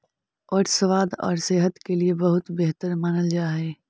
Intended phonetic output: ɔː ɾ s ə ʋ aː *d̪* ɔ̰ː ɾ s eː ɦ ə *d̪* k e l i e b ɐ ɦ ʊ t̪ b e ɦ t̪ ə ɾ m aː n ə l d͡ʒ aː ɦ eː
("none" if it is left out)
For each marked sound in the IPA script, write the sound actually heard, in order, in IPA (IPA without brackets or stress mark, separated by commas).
d̪, t̪